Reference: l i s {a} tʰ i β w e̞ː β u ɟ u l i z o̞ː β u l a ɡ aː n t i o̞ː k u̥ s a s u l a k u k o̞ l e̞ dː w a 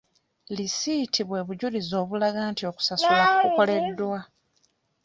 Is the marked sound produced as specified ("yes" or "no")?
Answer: no